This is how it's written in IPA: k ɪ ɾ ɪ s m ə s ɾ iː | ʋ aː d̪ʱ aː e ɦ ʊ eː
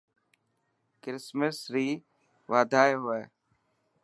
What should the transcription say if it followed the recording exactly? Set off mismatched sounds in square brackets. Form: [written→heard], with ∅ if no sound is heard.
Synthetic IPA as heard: k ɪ ɾ ɪ s m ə s ɾ iː | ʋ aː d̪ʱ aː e ɦ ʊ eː